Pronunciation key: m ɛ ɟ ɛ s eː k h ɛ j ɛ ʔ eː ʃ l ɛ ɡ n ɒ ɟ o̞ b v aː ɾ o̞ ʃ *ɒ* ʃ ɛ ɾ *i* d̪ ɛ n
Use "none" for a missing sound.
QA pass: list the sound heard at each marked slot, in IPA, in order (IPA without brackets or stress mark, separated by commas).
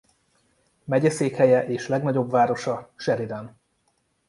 ɒ, i